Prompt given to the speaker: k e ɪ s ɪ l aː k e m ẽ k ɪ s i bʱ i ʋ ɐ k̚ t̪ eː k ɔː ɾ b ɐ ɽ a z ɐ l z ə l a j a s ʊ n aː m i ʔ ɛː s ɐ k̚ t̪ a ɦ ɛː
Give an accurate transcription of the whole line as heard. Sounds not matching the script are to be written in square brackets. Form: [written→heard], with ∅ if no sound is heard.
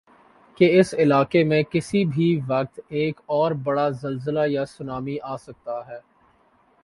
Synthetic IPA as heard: k e ɪ s ɪ l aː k e m ẽ k ɪ s i bʱ i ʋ ɐ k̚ t̪ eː k ɔː ɾ b ɐ ɽ a z ɐ l z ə l a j a s ʊ n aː m i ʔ [ɛː→aː] s ɐ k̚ t̪ a ɦ ɛː